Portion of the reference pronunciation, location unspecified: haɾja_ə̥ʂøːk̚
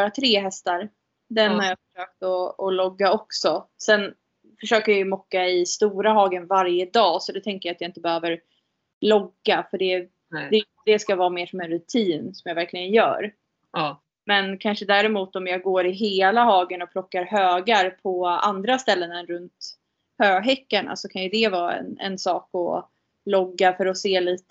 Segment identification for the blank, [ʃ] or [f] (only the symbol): f